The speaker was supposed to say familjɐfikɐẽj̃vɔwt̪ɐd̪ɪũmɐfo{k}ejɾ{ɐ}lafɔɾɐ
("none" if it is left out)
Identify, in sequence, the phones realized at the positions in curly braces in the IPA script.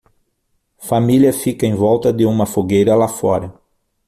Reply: ɡ, ɐ

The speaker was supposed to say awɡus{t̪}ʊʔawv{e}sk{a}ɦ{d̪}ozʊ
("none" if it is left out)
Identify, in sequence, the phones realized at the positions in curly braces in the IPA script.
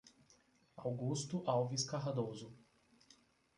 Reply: t̪, i, a, d̪

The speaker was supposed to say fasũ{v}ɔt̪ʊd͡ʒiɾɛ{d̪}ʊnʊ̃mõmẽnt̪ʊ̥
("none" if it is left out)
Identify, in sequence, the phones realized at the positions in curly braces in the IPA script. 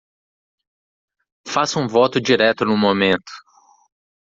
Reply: v, t̪

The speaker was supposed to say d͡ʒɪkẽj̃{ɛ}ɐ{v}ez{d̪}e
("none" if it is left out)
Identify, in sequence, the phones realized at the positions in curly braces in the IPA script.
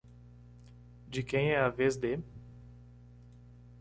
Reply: ɛ, v, d̪

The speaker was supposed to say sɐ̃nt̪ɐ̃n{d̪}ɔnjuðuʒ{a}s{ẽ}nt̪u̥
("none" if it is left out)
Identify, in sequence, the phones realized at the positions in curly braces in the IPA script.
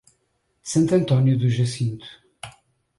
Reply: t̪, ɐ, ĩ

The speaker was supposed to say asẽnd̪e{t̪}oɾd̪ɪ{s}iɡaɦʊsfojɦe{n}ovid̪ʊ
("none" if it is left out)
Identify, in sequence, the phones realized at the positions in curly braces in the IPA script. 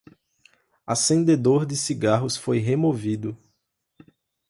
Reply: d̪, s, m

